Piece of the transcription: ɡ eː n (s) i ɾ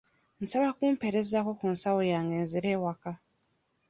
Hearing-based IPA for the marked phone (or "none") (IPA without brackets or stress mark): z